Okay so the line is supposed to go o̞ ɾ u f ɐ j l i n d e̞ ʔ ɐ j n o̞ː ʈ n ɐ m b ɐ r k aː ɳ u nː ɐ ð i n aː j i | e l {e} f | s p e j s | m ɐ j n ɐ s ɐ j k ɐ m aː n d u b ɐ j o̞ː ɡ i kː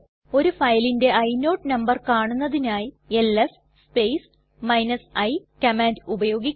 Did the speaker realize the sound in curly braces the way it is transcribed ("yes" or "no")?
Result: yes